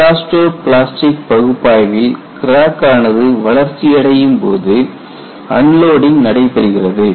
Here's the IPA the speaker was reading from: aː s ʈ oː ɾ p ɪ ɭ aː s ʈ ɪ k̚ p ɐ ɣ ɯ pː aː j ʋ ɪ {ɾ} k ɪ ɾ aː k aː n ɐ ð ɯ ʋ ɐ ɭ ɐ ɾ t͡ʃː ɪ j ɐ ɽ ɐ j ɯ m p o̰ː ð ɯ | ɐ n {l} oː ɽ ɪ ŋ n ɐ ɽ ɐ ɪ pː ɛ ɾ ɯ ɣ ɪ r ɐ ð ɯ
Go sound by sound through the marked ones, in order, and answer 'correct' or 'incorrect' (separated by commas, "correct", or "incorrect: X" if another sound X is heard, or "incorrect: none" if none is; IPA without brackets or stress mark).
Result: incorrect: l, correct